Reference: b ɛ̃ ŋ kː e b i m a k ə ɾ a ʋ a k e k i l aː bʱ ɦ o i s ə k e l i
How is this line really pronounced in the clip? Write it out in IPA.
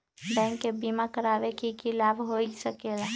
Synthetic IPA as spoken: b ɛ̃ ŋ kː e b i m a k ə ɾ a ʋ e k i k i l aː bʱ ɦ o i s ə k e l a